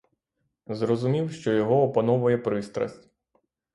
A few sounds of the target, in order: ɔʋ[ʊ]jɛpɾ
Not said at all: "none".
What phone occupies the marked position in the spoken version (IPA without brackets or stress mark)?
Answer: ʊ